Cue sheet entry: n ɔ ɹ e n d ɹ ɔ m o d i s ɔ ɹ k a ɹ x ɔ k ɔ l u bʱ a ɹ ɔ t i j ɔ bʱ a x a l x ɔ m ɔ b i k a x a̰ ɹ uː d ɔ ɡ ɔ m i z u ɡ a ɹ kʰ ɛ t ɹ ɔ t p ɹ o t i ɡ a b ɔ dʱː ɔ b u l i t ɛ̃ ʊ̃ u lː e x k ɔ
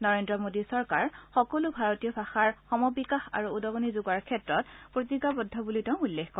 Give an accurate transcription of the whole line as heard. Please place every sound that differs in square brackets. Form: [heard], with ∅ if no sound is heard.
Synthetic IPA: n ɔ ɹ e n d ɹ ɔ m o d i s ɔ ɹ k a ɹ x ɔ k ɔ l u bʱ a ɹ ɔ t i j ɔ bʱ a x a [ɹ] x ɔ m ɔ b i k a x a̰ ɹ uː d ɔ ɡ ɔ [n] i z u ɡ a ɹ kʰ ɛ t ɹ ɔ t p ɹ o t i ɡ a b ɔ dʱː ɔ b u l i t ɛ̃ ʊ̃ u lː e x k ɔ